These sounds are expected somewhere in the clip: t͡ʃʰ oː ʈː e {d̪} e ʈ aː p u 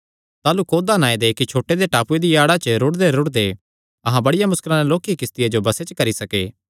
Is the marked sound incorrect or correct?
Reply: correct